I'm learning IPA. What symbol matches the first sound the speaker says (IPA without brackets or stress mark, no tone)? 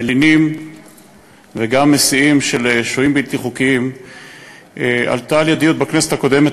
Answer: l